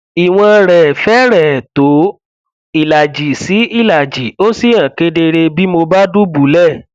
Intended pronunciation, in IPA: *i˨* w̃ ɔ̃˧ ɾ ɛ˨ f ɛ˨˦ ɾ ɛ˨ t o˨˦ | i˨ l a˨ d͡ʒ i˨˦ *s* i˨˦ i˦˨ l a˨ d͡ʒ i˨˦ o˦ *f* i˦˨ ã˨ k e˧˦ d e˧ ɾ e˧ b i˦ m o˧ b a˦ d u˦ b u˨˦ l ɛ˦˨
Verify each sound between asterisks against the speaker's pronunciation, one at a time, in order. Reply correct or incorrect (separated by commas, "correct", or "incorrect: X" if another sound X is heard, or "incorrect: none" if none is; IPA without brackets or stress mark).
correct, correct, incorrect: s